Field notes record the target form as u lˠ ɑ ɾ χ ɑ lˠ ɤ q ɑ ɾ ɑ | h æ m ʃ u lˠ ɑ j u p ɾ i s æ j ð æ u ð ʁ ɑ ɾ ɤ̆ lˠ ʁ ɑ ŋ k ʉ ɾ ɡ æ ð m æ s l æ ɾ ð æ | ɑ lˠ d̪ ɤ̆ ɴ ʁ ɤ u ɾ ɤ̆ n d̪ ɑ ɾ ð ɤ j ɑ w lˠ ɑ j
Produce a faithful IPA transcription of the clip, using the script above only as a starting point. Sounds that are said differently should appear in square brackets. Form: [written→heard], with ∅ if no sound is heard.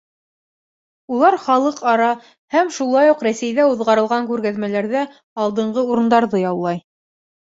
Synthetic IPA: u lˠ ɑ ɾ χ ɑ lˠ ɤ q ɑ ɾ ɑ | h æ m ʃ u lˠ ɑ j u [p→q] ɾ [i→æ] s æ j ð æ u ð ʁ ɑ ɾ ɤ̆ lˠ ʁ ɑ ŋ k ʉ ɾ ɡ æ ð m æ [s→∅] l æ ɾ ð æ | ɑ lˠ d̪ ɤ̆ ɴ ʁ ɤ u ɾ ɤ̆ n d̪ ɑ ɾ ð ɤ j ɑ w lˠ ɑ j